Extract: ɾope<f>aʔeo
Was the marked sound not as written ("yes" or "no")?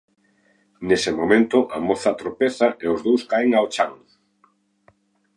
yes